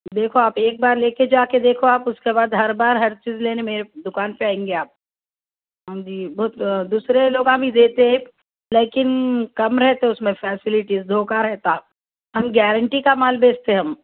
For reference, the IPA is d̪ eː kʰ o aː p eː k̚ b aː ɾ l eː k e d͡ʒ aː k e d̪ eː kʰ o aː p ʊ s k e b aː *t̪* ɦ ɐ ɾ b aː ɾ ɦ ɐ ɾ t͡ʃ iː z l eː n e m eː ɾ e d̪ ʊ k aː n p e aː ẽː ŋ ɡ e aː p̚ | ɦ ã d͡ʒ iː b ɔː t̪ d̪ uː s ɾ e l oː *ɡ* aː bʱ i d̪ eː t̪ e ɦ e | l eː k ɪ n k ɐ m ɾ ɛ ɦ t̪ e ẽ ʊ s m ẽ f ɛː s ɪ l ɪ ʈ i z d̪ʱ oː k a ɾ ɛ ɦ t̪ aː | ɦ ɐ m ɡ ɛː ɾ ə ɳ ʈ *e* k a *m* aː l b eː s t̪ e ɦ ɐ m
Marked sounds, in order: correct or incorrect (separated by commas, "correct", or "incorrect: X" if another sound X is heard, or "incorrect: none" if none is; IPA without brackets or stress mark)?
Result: incorrect: d̪, correct, incorrect: i, correct